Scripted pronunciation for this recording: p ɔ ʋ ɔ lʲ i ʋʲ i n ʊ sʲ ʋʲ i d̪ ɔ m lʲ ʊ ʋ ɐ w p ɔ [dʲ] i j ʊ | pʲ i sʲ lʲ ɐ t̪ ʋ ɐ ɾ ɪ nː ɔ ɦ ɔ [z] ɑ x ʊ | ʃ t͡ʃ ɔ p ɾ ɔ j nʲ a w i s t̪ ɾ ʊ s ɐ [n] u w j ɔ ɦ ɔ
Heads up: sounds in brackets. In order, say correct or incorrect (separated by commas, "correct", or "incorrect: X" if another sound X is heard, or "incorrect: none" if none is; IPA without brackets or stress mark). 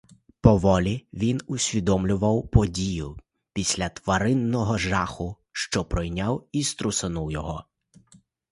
correct, incorrect: ʒ, correct